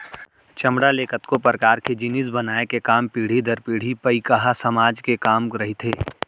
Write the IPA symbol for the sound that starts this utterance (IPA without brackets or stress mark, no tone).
t͡ʃ